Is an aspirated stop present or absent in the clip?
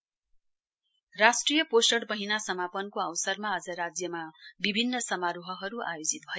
absent